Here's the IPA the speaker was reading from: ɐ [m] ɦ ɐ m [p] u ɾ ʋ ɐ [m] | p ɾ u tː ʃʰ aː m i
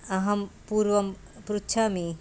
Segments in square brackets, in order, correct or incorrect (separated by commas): incorrect, correct, correct